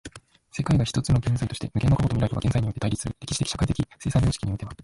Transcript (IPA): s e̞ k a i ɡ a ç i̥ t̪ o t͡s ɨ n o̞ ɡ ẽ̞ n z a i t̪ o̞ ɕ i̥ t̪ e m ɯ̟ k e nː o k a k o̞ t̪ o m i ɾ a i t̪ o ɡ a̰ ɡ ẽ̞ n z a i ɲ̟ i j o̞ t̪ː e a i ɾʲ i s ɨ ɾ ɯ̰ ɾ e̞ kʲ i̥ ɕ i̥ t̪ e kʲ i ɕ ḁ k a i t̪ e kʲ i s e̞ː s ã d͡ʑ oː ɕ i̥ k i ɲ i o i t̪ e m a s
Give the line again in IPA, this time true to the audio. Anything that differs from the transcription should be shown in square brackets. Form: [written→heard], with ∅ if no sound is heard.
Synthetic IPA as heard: s e̞ k a i ɡ a ç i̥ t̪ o t͡s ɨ n o̞ ɡ ẽ̞ n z a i t̪ o̞ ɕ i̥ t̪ e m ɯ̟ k e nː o k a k o̞ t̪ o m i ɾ a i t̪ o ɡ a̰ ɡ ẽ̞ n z a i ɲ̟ i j o̞ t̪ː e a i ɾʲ i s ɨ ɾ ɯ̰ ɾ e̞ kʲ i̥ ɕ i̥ t̪ e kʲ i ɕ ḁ k a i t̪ e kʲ i s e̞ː s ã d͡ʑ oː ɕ i̥ k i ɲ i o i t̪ e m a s